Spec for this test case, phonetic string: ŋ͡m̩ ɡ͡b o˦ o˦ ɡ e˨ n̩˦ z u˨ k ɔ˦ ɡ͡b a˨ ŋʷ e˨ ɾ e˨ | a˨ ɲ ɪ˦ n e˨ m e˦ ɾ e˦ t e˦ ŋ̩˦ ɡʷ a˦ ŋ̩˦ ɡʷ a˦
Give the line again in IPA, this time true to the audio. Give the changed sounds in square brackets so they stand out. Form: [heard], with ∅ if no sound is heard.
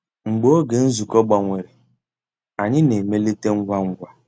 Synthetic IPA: ŋ͡m̩ ɡ͡b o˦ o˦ ɡ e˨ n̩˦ z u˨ k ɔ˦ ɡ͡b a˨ ŋʷ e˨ ɾ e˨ | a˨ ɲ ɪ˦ n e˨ m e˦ [l] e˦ t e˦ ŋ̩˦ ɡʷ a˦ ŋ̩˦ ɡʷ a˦